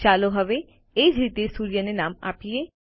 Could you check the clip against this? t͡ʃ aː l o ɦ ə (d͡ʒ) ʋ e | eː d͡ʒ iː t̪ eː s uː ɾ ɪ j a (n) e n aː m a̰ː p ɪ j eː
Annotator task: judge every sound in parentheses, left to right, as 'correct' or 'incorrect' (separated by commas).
incorrect, correct